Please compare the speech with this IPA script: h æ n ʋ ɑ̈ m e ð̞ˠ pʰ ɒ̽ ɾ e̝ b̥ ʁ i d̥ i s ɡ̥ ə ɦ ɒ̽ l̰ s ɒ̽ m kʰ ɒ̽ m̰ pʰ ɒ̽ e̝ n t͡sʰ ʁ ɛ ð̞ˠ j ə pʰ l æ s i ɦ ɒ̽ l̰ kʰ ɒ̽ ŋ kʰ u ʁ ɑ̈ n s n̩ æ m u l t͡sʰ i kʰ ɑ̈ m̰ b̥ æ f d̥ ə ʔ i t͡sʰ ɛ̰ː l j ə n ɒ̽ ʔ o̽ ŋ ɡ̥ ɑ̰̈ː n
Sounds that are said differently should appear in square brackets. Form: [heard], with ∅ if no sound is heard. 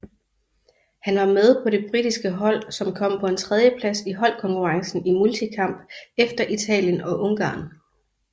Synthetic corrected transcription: h æ n ʋ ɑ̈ m e ð̞ˠ pʰ ɒ̽ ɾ e̝ b̥ ʁ i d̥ i s ɡ̥ ə ɦ ɒ̽ l̰ s ɒ̽ m kʰ ɒ̽ m̰ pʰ ɒ̽ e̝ n t͡sʰ ʁ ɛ ð̞ˠ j ə pʰ l æ s i ɦ ɒ̽ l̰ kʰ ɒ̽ ŋ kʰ u ʁ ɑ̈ [ŋ] s n̩ [i] m u l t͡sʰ i kʰ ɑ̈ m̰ b̥ [e] f d̥ [ɐ] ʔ i t͡sʰ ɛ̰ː l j ə n ɒ̽ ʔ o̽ ŋ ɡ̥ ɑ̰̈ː n